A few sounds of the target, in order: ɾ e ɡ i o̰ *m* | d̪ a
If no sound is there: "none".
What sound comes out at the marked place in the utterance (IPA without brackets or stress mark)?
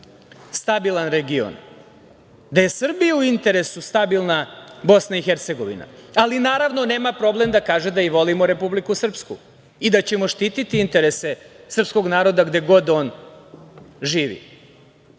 n